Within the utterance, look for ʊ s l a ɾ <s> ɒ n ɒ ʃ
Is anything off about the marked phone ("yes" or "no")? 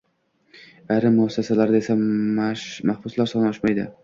no